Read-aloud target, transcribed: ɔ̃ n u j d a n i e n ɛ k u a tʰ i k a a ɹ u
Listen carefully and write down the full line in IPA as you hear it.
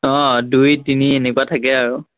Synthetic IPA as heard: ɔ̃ d u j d i n i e n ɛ k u a tʰ a k ɛ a ɹ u